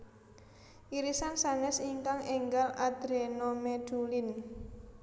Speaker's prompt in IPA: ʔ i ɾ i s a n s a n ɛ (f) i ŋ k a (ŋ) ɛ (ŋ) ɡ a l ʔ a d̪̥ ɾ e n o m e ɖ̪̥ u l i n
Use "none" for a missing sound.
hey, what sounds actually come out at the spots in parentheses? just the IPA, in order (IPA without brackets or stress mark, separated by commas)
s, ŋ, ŋ